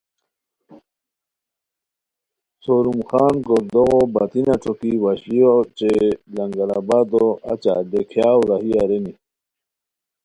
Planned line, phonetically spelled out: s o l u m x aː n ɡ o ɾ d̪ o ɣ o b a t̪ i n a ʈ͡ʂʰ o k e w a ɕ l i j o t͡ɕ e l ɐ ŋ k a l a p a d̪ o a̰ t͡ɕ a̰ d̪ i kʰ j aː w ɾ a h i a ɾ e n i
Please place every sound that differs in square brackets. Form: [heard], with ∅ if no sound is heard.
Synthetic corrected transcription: s o [ɾ] u m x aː n ɡ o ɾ d̪ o ɣ o b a t̪ i n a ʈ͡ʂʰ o k [i] w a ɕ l i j o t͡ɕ e l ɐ ŋ [ɡ] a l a [b] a d̪ o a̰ t͡ɕ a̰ d̪ [e] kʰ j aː w ɾ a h i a ɾ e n i